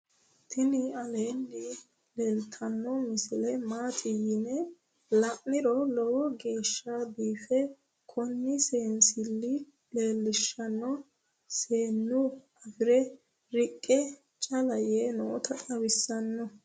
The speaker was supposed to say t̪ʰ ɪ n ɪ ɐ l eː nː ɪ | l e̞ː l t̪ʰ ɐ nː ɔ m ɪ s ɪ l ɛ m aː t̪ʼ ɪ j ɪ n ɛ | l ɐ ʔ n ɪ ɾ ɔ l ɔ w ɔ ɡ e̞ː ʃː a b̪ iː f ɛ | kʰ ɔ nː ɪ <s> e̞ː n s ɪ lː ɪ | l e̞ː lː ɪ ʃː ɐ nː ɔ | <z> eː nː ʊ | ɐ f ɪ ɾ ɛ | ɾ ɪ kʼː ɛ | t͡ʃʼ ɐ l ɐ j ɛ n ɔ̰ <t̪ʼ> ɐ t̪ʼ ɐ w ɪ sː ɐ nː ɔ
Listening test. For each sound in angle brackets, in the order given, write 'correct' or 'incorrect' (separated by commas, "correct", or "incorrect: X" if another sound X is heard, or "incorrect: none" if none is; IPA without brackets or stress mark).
correct, incorrect: s, incorrect: t̪